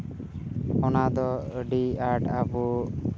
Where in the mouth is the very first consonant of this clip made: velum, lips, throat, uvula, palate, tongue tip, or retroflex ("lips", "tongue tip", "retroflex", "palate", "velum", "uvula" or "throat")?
tongue tip